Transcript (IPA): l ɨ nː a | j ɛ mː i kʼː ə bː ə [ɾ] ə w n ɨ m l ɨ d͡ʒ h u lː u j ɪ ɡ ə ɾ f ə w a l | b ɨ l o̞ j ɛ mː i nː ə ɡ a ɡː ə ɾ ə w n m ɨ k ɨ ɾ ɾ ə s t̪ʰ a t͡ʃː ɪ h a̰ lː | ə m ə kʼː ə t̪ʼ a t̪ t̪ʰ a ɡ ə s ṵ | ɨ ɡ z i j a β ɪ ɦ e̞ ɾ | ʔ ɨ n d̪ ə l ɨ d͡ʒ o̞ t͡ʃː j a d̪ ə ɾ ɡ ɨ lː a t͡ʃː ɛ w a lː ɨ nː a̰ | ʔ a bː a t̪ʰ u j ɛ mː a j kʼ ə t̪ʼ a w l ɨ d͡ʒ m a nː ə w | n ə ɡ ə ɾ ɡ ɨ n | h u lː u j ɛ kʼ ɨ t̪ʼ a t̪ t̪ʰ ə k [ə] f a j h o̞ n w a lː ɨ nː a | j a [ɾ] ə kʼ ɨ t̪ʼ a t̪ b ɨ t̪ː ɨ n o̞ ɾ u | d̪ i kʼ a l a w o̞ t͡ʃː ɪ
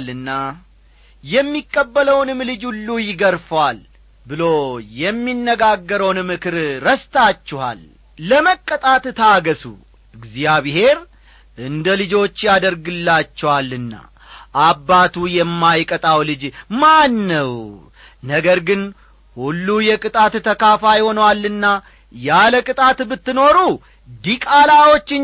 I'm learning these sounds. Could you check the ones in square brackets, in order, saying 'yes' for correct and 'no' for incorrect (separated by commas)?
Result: no, no, no